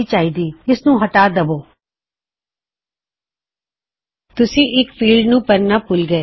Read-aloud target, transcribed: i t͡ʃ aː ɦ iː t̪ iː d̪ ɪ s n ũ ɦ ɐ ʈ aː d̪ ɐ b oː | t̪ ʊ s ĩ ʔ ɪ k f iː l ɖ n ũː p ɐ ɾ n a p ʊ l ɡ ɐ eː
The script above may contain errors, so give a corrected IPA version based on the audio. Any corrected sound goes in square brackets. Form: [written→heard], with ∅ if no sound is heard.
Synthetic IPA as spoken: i t͡ʃ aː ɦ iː [t̪→d̪] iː [d̪→∅] ɪ s n ũ ɦ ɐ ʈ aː d̪ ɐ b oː | t̪ ʊ s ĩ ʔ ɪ k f iː l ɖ n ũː p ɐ ɾ n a p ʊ l ɡ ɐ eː